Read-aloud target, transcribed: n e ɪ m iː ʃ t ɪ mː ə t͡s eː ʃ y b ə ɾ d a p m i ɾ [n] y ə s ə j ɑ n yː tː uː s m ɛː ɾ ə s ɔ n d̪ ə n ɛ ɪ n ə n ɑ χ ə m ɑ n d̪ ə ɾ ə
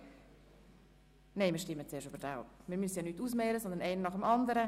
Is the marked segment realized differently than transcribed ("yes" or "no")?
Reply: yes